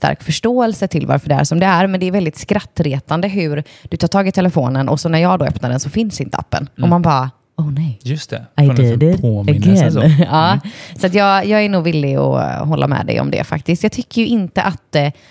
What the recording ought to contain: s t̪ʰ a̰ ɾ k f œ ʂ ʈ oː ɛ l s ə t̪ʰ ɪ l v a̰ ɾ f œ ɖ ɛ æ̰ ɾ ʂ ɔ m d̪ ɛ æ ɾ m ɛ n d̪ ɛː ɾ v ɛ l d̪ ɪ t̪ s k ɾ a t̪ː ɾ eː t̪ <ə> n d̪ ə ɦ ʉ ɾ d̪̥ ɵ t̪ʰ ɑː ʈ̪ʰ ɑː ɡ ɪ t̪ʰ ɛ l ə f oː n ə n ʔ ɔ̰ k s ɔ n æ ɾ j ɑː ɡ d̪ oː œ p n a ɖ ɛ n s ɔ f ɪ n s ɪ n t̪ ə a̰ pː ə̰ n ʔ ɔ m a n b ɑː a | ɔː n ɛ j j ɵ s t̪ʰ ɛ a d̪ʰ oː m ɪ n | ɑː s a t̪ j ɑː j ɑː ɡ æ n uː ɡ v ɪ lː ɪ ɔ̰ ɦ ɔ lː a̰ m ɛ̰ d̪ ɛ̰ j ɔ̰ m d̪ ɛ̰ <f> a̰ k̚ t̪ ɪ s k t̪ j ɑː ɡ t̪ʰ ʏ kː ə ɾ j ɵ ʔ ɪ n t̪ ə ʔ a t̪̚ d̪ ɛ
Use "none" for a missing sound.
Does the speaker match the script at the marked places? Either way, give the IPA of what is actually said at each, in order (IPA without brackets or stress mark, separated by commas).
a, f